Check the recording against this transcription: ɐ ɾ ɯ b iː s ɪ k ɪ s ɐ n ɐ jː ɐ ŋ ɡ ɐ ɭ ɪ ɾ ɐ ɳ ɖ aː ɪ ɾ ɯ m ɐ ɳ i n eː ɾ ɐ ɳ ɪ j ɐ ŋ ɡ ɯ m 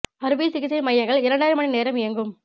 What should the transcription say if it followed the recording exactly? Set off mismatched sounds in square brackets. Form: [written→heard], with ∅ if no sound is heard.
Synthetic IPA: ɐ ɾ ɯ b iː s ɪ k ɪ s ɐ [n→m] ɐ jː ɐ ŋ ɡ ɐ ɭ ɪ ɾ ɐ ɳ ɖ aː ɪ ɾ ɯ m ɐ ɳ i n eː ɾ ɐ [ɳ→m] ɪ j ɐ ŋ ɡ ɯ m